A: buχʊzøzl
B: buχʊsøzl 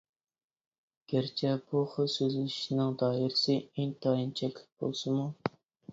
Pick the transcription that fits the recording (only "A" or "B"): B